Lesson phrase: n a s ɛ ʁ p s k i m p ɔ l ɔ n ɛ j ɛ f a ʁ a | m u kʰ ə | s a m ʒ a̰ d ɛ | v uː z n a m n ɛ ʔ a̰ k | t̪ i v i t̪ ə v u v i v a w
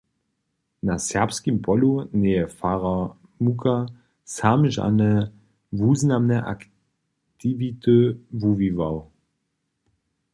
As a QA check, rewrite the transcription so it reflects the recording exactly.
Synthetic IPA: n a s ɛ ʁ p s k i m p ɔ l u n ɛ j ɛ f a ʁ a | m u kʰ a | s a m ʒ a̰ n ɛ | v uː z n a m n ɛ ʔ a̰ k | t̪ i v i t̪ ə v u v i v a w